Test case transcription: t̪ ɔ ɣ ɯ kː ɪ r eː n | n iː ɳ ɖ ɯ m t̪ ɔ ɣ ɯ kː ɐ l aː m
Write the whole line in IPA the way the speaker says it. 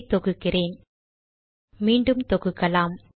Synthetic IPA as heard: t̪ ɔ ɣ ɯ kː ɪ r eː n | m iː ɳ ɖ ɯ m t̪ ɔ ɣ ɯ kː ɐ l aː m